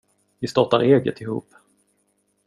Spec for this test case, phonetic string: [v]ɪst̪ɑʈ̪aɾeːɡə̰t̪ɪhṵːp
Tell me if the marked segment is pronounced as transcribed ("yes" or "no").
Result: yes